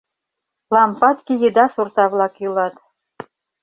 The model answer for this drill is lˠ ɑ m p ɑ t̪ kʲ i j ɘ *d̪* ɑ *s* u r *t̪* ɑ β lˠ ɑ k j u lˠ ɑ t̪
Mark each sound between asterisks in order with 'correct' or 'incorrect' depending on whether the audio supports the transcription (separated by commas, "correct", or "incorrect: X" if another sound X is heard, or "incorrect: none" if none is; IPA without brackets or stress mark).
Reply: correct, correct, correct